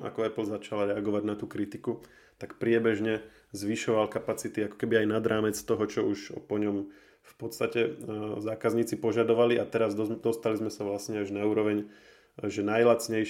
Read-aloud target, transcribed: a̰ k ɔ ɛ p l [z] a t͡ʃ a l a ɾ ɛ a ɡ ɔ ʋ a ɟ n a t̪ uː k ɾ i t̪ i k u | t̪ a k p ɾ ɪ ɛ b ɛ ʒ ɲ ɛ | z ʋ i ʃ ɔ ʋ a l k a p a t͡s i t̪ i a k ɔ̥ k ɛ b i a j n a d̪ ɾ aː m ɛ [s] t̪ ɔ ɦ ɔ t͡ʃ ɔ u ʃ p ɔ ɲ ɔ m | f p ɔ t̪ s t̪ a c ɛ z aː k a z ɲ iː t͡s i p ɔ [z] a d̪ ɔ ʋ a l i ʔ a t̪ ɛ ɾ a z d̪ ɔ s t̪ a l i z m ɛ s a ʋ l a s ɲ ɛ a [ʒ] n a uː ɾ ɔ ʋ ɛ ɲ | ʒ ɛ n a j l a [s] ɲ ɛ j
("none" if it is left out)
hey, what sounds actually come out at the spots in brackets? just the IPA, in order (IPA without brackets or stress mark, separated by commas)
z, t͡s, ʒ, ʒ, t͡s